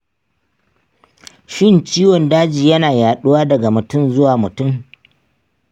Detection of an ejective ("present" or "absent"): absent